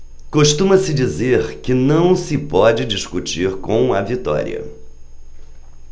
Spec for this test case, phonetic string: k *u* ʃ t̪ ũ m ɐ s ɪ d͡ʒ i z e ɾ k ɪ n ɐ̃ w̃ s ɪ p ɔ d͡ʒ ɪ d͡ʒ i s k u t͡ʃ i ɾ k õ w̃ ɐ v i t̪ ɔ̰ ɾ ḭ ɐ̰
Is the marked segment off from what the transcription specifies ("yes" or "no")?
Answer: yes